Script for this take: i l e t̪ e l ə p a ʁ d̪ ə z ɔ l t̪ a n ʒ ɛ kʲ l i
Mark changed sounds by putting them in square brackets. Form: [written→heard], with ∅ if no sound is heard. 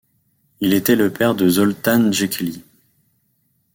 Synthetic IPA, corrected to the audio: i l e t̪ [e→ɛ] l ə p [a→ɛ] ʁ d̪ ə z ɔ l t̪ a n ʒ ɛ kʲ l i